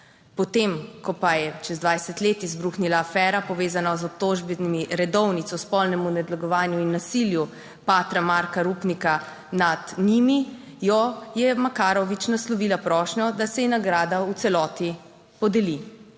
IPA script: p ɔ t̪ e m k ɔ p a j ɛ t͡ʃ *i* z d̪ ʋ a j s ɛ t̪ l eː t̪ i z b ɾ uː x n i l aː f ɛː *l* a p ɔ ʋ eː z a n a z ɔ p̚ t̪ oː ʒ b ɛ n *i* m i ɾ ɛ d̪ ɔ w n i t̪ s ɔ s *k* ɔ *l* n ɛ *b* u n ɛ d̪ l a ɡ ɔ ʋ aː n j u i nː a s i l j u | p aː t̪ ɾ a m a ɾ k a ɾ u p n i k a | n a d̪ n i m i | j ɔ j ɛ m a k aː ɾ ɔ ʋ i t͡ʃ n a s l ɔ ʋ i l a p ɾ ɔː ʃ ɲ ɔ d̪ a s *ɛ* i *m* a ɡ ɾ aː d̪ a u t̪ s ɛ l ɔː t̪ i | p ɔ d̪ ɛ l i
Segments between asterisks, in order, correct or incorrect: incorrect, incorrect, correct, incorrect, correct, incorrect, correct, incorrect

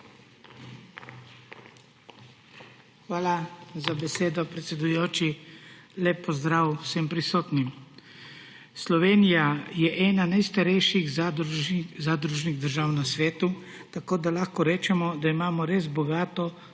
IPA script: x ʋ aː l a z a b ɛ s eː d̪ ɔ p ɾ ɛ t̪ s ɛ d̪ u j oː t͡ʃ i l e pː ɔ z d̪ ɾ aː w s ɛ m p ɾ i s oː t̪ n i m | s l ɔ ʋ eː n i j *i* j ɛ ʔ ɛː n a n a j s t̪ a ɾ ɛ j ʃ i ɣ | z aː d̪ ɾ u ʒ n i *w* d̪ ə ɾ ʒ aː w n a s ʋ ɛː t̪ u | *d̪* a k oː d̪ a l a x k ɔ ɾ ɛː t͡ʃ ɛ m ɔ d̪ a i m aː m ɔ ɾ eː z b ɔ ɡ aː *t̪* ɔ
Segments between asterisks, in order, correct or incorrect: incorrect, incorrect, incorrect, correct

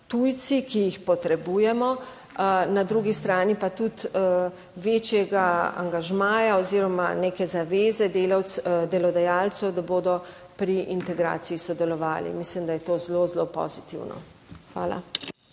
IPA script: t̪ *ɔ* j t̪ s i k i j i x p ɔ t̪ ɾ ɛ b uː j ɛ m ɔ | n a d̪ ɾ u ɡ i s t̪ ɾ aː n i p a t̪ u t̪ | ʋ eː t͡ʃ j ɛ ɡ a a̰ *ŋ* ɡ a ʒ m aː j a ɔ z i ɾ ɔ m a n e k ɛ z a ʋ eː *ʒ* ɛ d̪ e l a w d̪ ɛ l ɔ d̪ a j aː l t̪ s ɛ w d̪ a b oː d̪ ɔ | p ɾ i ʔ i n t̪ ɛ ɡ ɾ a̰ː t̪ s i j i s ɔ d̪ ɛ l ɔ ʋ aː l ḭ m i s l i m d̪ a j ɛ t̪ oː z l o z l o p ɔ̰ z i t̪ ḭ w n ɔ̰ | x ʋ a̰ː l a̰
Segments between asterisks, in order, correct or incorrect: incorrect, correct, incorrect

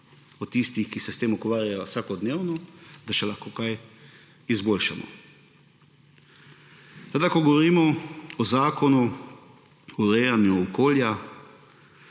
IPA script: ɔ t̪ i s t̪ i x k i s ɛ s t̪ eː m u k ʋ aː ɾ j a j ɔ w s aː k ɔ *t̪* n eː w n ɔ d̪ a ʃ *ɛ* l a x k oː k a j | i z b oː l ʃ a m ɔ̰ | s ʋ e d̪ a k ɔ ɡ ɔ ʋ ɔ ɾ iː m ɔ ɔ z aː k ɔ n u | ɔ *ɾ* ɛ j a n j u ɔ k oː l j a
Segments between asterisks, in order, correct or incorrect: incorrect, correct, correct

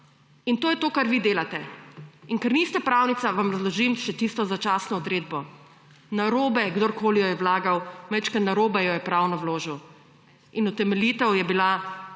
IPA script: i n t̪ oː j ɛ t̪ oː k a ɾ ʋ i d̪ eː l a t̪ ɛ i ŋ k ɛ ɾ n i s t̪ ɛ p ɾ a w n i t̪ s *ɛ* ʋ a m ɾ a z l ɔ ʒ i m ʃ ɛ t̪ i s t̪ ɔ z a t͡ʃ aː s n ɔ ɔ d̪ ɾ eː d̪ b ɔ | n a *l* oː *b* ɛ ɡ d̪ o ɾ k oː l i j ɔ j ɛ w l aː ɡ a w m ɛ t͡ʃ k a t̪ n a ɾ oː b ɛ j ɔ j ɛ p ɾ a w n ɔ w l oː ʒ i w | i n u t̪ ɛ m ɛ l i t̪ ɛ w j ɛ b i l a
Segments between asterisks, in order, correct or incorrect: incorrect, incorrect, correct

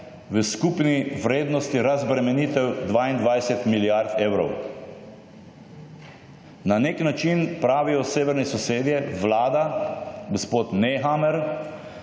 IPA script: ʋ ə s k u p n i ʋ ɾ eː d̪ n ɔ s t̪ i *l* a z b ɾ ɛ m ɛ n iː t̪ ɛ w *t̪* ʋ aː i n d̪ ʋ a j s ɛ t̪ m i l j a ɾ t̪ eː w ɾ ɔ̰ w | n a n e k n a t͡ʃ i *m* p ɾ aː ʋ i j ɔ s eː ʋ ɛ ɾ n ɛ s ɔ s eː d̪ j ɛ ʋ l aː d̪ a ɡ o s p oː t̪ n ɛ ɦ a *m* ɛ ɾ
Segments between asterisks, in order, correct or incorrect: incorrect, incorrect, incorrect, correct

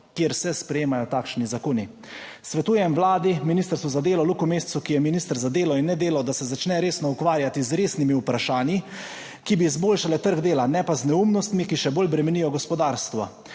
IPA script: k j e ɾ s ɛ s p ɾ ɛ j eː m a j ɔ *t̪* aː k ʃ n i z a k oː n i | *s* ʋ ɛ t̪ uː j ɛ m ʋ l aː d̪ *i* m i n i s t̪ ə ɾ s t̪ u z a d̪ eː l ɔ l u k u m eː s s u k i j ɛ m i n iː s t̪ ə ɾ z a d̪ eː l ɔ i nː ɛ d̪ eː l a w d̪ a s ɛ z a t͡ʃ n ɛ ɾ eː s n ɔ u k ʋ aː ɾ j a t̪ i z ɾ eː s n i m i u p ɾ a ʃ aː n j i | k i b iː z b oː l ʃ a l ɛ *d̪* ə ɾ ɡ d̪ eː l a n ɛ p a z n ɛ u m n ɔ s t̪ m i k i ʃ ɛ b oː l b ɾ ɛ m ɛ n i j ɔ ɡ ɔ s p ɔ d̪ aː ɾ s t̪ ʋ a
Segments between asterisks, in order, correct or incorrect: correct, correct, correct, incorrect

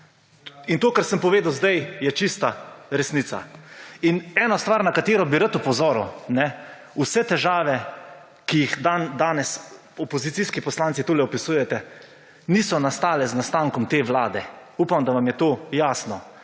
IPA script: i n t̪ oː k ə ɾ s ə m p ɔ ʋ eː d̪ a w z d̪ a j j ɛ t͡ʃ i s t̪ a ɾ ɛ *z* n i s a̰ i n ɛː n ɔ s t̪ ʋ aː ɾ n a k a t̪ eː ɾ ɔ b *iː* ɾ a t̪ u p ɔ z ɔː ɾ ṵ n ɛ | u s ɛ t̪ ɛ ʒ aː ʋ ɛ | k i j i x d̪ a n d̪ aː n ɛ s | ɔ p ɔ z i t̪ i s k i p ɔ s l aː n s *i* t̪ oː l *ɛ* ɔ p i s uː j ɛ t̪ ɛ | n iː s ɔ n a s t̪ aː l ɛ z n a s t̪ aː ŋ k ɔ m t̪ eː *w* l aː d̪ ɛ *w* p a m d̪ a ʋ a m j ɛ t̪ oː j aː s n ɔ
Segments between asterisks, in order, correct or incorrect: incorrect, incorrect, correct, correct, incorrect, incorrect

